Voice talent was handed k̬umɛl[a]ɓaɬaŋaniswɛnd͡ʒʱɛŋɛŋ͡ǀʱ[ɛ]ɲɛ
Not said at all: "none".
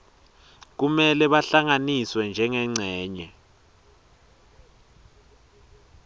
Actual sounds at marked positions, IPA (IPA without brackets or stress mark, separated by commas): ɛ, ɛː